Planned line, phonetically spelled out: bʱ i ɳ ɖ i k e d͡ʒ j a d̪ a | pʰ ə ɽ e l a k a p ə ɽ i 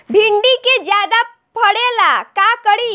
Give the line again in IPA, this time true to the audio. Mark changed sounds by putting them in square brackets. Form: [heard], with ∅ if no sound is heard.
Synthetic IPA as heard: bʱ i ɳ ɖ i k e d͡ʒ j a d̪ a | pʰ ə ɽ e l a k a [k] ə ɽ i